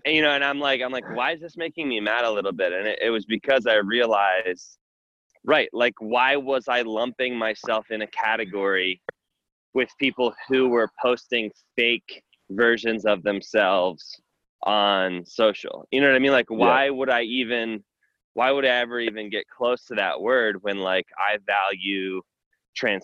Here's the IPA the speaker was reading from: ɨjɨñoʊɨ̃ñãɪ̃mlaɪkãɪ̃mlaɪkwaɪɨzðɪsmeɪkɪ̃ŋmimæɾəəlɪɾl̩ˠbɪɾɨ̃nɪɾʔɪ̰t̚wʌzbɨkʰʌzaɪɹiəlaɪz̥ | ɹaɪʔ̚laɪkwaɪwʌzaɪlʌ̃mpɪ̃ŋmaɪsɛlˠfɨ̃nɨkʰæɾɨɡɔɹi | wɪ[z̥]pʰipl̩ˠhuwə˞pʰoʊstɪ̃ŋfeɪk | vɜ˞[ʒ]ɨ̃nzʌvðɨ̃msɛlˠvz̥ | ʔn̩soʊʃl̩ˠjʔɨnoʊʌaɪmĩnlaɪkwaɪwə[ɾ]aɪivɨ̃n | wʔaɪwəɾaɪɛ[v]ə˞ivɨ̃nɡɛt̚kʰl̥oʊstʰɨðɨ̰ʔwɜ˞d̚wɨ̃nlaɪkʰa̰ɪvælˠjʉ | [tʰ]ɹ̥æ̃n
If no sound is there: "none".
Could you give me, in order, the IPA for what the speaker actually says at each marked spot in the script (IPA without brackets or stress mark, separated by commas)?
ð̥, ʒ, ɾ, v, tʰ